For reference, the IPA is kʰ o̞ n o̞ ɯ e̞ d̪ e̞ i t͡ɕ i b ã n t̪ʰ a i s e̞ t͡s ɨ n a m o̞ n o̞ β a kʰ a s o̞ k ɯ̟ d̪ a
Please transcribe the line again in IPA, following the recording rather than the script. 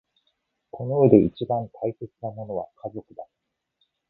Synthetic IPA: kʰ o̞ n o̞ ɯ e̞ d̪ e̞ i t͡ɕ i b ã n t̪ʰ a i s e̞ t͡s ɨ n a m o̞ n o̞ β a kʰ a z o̞ k ɯ̟ d̪ a